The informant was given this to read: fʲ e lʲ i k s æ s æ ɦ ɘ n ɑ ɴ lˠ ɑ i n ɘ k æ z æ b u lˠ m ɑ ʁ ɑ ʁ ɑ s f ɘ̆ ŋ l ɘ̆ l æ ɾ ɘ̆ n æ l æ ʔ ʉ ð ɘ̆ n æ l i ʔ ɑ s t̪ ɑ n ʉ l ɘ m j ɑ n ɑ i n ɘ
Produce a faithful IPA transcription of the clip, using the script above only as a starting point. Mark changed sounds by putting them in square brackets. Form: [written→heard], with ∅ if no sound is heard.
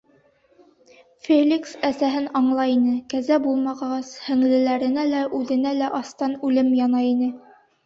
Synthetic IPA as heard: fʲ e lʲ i k s æ s æ ɦ ɘ n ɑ ɴ lˠ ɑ i n ɘ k æ z æ b u lˠ m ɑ ʁ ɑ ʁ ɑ s [f→h] ɘ̆ ŋ l ɘ̆ l æ ɾ ɘ̆ n æ l æ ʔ ʉ ð ɘ̆ n æ l [i→æ] ʔ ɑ s t̪ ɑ n ʉ l ɘ m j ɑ n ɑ i n ɘ